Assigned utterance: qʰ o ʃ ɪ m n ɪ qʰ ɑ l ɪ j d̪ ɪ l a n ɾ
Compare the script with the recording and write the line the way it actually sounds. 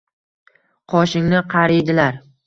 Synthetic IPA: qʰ ɒ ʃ ɪ ŋ n ɪ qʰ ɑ ɾ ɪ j d̪ ɪ l a ɾ

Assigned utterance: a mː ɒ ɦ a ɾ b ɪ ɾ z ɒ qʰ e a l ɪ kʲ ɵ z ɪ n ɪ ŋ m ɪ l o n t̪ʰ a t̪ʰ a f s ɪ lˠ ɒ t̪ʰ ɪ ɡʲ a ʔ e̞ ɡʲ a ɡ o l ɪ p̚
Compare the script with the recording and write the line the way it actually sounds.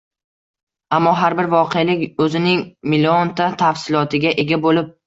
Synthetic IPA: a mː ɒ ɦ a ɾ b ɪ ɾ v ɒ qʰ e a l ɪ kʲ ɵ z ɪ n ɪ ŋ m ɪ l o n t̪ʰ a t̪ʰ a f s ɪ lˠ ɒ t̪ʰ ɪ ɡʲ a ʔ e̞ ɡʲ a b o l ɪ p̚

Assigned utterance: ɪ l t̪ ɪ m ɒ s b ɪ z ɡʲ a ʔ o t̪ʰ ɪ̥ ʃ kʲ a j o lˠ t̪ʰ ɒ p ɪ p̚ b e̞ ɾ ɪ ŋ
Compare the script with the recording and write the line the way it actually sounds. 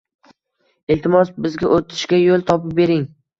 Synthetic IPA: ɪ l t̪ ɪ m ɒ s b ɪ z ɡʲ a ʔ o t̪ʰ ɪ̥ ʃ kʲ a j o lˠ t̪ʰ ɒ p ɪ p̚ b e̞ ɾ ɪ ŋ

